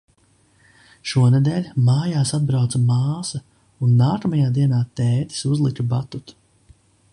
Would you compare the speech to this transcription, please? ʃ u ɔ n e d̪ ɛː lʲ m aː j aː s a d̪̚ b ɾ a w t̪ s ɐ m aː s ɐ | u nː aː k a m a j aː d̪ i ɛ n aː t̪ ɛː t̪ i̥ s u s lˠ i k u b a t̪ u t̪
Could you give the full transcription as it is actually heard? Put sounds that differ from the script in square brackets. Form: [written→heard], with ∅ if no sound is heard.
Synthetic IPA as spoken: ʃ u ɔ n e d̪ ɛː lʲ m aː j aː s a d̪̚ b ɾ a w t̪ s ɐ m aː s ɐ | u nː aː k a m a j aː d̪ i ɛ n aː t̪ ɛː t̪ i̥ s u [s→z] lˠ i k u b a t̪ u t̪